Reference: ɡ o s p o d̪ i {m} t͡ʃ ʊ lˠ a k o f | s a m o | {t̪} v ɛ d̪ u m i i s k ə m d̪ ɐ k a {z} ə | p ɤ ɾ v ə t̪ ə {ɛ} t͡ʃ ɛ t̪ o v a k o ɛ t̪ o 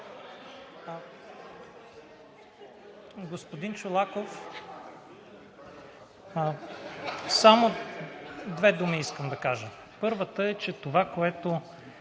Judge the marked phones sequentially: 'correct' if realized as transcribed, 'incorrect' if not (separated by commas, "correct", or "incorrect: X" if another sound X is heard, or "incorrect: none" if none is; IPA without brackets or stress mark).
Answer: incorrect: n, incorrect: d̪, incorrect: ʒ, correct